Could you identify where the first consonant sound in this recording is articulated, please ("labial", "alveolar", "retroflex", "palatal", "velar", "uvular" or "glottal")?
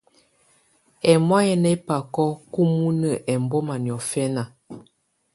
labial